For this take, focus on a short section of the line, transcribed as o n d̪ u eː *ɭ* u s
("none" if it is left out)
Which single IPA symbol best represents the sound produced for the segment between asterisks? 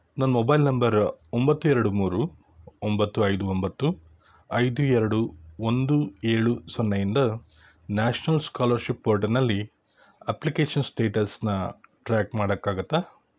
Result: ɭ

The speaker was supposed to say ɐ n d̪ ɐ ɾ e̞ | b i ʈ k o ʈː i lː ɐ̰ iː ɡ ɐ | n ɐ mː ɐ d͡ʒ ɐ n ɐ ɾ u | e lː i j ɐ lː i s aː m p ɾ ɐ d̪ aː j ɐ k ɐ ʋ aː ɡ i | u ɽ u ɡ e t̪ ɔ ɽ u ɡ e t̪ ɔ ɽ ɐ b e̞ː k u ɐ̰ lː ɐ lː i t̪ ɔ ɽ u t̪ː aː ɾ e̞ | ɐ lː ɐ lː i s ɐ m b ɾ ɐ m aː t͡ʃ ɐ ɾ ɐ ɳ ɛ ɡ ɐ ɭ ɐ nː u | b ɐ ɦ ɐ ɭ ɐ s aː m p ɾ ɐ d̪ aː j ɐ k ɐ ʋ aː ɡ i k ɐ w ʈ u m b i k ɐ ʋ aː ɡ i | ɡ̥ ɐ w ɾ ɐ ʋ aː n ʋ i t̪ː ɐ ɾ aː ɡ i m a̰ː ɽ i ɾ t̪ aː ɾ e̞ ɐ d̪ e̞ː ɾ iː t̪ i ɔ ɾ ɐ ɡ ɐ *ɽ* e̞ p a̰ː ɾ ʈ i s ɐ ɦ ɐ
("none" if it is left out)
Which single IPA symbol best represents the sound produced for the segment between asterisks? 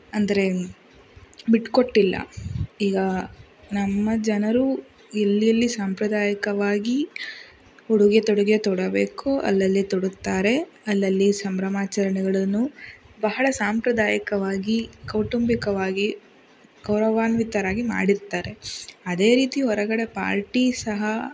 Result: ɽ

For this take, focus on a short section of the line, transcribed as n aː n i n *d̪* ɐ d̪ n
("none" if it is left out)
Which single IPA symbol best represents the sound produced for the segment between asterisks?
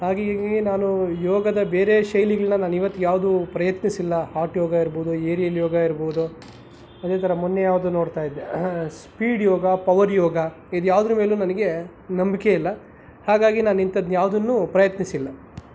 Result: t̪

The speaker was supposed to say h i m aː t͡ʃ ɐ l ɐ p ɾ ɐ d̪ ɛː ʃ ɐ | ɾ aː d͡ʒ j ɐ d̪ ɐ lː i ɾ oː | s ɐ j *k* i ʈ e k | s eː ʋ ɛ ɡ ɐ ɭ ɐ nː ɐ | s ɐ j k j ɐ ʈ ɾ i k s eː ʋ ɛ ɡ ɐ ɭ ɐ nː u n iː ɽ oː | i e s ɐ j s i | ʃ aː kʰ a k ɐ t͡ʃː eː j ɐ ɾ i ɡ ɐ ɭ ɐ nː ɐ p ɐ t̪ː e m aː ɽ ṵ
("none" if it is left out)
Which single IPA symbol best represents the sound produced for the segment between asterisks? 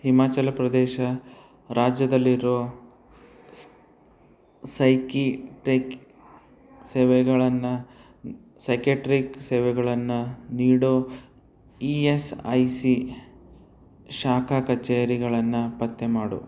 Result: k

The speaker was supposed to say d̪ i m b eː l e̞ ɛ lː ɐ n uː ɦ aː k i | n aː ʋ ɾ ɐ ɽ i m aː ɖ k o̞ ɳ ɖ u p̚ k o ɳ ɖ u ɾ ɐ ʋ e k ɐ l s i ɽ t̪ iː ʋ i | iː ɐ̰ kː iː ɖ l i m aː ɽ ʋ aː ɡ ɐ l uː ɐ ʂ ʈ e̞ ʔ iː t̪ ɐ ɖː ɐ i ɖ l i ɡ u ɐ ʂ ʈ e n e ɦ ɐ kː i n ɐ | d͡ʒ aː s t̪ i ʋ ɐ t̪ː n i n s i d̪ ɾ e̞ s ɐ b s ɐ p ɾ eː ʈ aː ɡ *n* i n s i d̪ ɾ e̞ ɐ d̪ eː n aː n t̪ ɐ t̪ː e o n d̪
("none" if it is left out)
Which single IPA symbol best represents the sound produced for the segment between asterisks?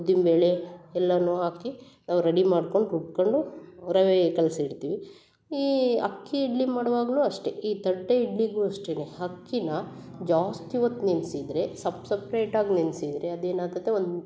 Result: n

